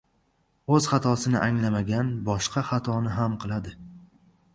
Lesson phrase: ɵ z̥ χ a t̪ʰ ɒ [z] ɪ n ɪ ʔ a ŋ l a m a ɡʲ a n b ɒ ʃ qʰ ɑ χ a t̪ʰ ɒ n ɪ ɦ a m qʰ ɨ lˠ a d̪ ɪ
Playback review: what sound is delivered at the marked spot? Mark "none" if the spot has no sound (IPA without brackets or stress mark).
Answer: s